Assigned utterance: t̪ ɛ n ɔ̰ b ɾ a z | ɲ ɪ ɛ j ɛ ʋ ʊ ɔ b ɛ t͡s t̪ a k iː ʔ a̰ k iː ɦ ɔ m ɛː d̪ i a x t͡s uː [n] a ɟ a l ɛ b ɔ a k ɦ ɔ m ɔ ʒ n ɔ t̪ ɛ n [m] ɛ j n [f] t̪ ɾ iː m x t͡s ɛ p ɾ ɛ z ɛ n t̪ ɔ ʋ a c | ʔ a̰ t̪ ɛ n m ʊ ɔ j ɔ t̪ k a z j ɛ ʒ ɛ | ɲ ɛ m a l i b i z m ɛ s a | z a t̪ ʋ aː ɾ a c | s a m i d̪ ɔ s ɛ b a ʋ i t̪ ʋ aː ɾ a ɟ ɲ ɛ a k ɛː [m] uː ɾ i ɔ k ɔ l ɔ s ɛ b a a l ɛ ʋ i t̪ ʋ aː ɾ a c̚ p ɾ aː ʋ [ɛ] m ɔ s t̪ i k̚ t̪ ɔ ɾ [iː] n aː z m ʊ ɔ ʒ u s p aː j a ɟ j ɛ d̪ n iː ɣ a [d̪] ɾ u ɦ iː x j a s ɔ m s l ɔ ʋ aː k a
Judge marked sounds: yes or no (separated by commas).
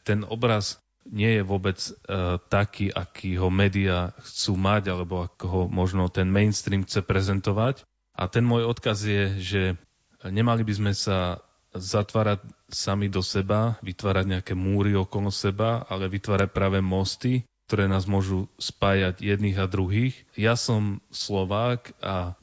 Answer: no, yes, no, yes, yes, no, yes